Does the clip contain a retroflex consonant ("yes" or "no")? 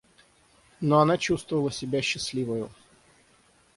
no